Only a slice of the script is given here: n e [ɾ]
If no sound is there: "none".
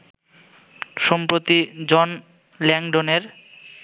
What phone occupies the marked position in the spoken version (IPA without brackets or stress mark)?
ɾ